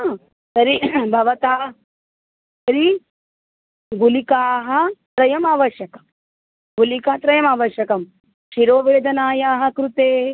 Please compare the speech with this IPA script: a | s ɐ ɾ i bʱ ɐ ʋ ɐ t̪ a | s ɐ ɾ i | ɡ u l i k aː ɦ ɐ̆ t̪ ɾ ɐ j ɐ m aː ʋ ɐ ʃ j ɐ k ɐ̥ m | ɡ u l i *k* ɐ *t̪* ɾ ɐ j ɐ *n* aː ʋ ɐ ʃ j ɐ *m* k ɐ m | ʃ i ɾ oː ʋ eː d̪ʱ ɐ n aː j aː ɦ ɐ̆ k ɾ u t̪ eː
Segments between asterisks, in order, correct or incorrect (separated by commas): correct, correct, incorrect, incorrect